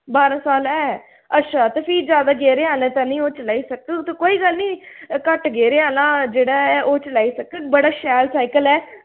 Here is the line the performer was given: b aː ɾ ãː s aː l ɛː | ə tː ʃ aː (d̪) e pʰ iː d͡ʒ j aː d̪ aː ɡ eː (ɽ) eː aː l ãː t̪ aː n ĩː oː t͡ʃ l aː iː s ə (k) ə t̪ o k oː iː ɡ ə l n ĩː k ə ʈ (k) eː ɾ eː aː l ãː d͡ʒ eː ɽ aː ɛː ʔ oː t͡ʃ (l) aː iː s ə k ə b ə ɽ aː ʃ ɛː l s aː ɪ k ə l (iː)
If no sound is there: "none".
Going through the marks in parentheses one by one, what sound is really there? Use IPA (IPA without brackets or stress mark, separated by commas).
t̪, ɾ, k, ɡ, l, ɛː